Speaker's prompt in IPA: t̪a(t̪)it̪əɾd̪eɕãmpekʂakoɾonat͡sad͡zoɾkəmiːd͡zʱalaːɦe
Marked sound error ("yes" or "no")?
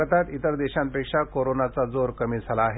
no